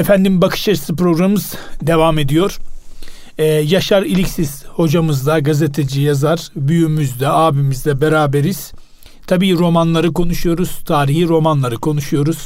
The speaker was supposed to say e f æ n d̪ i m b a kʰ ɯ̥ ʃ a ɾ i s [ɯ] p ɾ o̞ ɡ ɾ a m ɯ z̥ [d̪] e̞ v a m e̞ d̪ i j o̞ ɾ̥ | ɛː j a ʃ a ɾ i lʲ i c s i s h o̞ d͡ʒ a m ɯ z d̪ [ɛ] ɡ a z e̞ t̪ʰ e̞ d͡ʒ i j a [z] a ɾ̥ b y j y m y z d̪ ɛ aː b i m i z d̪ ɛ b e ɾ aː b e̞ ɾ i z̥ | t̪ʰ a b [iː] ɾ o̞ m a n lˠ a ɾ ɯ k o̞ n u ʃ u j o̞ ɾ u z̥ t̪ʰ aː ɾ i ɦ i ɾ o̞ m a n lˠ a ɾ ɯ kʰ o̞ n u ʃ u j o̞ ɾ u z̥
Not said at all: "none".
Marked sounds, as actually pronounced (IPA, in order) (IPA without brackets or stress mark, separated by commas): ɯ, d̪, a, z, iː